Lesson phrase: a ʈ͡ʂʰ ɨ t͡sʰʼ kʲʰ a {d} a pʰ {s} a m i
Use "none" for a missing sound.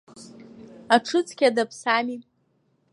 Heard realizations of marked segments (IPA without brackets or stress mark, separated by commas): d, s